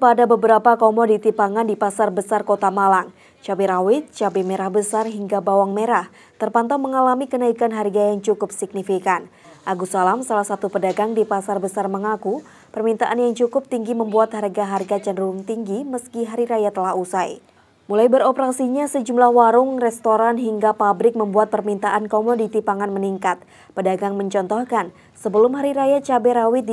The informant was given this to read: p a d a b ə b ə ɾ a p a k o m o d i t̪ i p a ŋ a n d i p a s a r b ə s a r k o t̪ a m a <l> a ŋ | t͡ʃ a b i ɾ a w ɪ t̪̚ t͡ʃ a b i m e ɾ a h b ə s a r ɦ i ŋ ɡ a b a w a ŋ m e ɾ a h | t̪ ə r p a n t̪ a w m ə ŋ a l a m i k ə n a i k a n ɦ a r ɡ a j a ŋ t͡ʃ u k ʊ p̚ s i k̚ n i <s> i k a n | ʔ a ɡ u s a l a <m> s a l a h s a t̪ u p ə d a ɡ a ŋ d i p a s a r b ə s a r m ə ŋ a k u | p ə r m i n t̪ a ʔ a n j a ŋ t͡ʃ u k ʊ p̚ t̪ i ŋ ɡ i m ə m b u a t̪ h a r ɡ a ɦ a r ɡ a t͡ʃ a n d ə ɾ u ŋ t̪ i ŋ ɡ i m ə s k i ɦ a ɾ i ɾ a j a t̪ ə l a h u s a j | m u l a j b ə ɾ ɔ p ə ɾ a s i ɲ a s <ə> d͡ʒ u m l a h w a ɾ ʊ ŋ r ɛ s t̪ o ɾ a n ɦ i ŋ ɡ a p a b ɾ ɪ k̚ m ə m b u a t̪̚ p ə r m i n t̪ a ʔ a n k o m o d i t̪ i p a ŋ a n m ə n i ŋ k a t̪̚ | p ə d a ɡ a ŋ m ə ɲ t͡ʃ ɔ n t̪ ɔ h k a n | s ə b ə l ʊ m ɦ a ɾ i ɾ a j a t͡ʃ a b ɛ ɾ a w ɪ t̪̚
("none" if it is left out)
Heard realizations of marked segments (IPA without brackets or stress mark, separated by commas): l, f, m, ə